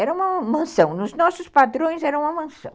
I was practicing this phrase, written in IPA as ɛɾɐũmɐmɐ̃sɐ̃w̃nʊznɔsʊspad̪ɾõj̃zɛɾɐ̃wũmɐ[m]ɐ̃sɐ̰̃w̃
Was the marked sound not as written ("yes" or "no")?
no